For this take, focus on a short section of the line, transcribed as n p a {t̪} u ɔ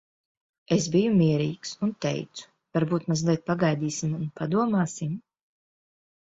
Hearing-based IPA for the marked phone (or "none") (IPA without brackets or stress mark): d̪